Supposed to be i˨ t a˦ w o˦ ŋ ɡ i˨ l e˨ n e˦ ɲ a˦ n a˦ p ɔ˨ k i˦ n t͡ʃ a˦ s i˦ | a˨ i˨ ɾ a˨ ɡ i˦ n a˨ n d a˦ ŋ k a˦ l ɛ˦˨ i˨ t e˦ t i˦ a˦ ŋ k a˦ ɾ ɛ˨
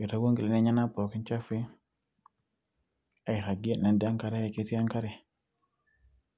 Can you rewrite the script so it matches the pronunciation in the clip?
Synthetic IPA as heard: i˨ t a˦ w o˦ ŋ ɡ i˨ l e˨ n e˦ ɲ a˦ n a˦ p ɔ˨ k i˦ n t͡ʃ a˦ f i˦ | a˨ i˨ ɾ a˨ ɡ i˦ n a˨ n d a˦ ŋ k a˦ ɾ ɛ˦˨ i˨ k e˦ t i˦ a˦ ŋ k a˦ ɾ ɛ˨